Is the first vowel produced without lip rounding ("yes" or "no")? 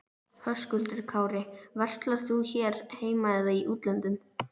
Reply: no